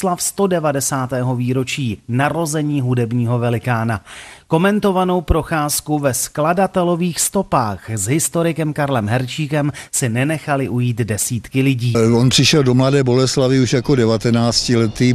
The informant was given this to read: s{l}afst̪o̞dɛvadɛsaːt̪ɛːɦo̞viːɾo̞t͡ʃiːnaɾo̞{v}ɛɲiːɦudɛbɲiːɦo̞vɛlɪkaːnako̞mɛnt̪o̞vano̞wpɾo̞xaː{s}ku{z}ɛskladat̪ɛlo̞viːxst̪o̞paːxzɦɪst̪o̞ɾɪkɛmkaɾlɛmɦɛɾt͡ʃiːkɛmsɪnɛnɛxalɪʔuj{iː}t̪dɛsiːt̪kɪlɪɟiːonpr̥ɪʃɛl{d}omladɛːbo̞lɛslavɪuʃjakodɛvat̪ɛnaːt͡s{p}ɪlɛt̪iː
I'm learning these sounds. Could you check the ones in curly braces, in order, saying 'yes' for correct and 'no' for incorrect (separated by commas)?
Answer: yes, no, yes, no, yes, yes, no